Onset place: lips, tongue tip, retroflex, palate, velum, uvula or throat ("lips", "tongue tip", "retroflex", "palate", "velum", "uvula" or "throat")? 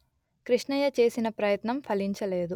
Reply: velum